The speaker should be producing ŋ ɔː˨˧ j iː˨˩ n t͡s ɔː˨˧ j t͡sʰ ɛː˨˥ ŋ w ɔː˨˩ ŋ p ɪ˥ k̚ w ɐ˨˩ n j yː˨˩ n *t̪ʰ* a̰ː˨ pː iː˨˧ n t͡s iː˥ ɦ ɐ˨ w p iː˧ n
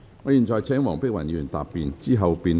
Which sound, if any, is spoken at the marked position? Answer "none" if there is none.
t̪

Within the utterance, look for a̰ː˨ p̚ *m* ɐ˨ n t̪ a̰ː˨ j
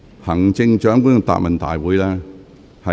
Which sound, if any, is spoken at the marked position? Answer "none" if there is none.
m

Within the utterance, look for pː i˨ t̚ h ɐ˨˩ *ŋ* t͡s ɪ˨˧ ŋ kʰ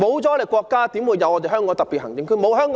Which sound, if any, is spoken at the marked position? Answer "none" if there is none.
ŋ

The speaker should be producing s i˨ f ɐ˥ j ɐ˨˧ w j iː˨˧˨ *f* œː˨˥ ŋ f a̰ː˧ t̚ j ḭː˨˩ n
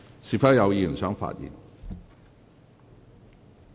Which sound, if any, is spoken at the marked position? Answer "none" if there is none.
s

